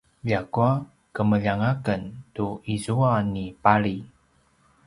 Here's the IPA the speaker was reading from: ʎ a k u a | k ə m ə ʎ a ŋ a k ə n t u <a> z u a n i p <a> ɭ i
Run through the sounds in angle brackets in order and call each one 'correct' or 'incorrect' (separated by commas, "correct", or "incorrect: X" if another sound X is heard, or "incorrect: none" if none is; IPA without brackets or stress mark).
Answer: incorrect: i, correct